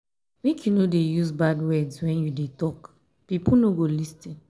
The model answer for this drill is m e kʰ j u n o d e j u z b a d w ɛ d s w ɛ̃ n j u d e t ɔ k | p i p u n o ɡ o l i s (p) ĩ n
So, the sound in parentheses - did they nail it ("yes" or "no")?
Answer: no